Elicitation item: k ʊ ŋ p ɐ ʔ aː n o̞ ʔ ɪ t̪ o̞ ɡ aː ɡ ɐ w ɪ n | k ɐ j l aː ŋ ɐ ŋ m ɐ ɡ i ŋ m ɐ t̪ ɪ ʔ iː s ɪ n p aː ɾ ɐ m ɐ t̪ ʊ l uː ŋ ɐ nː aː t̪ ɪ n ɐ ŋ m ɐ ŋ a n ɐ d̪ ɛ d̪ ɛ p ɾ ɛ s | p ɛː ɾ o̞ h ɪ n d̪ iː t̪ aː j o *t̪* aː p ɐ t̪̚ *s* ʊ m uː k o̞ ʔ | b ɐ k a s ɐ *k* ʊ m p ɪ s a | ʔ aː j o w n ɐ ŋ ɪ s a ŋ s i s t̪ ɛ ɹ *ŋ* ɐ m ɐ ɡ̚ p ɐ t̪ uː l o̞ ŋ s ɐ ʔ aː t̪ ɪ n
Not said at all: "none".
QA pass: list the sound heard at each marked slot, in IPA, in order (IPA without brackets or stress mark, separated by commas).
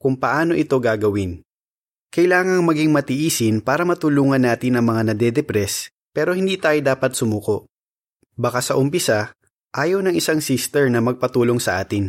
d̪, s, ʔ, n